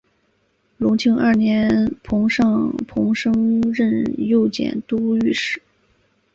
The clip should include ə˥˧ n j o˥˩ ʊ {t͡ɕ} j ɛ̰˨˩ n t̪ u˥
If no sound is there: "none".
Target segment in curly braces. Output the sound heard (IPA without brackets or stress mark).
t͡ɕ